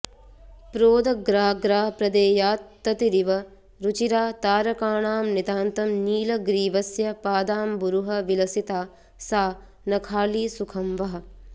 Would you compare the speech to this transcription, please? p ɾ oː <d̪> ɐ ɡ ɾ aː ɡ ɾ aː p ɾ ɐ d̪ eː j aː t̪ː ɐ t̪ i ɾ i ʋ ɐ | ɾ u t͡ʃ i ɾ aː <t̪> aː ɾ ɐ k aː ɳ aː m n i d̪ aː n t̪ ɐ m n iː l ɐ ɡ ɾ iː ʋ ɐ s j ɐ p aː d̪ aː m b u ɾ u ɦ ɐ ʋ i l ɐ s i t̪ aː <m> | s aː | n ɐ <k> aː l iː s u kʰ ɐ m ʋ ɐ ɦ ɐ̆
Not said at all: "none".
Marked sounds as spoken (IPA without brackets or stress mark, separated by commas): d̪, t̪, none, kʰ